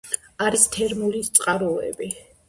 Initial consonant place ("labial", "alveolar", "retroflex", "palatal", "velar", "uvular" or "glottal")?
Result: alveolar